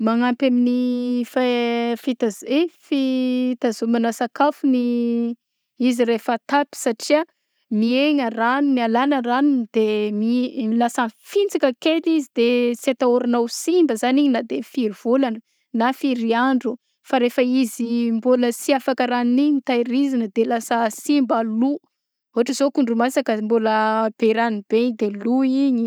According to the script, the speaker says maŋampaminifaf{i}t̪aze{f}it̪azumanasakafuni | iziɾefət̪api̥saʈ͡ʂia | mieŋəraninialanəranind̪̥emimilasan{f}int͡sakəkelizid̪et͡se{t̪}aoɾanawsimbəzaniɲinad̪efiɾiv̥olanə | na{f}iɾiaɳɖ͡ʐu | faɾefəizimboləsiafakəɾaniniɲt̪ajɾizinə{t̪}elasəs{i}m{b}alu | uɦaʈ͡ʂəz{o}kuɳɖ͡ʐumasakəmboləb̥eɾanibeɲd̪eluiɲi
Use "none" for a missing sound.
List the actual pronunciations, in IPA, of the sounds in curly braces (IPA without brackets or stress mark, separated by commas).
i, f, f, t̪, f, d̪, i, b, o